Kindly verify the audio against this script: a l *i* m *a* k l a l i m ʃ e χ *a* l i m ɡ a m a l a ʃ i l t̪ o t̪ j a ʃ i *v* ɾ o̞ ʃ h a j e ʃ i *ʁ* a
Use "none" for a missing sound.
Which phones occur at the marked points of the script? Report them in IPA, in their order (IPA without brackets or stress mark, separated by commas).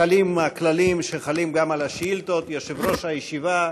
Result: i, a, a, v, v